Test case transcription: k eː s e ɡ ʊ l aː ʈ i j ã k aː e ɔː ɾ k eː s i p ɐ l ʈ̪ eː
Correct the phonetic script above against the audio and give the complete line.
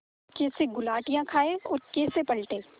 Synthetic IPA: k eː s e ɡ ʊ l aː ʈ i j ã kʰ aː e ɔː ɾ k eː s e p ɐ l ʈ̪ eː